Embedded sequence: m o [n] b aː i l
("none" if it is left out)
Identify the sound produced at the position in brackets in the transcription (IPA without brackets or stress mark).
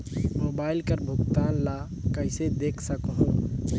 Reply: none